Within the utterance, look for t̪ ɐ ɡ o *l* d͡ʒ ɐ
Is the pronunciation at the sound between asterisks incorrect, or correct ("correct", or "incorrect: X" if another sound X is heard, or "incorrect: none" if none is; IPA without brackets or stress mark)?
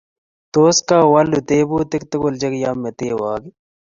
correct